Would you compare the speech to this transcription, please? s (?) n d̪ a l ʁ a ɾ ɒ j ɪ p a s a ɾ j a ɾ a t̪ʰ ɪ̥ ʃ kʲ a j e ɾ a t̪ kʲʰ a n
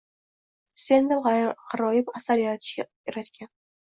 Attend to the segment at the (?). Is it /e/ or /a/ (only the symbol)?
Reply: e